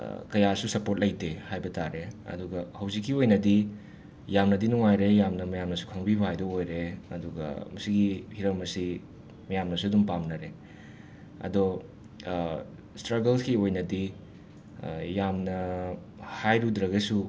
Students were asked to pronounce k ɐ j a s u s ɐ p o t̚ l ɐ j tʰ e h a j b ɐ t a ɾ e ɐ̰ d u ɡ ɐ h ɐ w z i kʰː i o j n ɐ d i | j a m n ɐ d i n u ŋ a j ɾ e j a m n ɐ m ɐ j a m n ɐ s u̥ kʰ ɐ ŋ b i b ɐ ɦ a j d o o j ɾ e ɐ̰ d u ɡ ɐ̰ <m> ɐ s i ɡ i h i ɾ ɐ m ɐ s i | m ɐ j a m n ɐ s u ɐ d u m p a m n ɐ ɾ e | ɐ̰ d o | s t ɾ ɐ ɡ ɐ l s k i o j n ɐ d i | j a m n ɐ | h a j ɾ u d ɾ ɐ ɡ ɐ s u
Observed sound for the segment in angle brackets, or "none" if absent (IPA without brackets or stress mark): m